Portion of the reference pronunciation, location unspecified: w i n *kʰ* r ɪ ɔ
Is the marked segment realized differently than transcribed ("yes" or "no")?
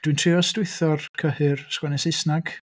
yes